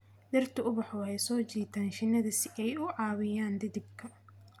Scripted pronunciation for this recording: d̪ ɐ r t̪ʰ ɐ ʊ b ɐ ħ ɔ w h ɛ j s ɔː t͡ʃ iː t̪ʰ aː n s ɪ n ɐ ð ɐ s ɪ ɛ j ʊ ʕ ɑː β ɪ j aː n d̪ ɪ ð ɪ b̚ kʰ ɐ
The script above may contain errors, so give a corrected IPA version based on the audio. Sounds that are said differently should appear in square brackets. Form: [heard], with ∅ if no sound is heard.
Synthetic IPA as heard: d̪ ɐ r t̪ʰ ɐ ʊ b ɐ ħ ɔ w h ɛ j s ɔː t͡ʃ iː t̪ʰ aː n [ʃ] ɪ n ɐ ð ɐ s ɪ ɛ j ʊ ʕ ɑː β ɪ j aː n d̪ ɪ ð ɪ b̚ kʰ ɐ